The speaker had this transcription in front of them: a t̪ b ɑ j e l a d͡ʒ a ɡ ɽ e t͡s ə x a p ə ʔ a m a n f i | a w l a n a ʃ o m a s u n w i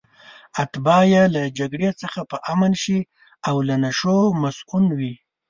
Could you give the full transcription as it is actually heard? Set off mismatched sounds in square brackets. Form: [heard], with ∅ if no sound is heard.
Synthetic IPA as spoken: a t̪ b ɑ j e l a d͡ʒ a ɡ ɽ e t͡s ə x a p ə ʔ a m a n [ʃ] i | a w l a n a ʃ o m a s u n w i